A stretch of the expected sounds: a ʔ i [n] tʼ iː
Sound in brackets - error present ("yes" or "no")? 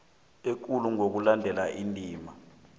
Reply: no